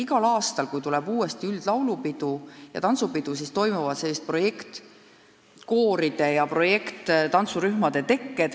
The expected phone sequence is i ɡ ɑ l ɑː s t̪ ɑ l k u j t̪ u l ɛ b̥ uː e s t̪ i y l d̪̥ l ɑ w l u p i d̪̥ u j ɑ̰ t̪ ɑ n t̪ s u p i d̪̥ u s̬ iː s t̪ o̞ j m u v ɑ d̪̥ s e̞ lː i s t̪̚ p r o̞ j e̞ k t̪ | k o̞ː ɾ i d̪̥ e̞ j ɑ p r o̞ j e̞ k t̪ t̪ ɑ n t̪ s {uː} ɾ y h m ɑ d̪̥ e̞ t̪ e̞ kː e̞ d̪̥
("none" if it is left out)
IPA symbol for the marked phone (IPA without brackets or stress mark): u